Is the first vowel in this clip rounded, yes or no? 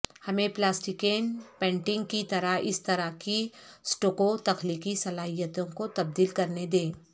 no